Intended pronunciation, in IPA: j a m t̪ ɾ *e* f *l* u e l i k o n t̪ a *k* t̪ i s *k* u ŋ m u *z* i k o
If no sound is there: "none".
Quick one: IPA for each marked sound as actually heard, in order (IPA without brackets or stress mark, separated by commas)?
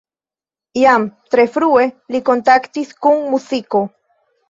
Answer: e, ɾ, k, k, s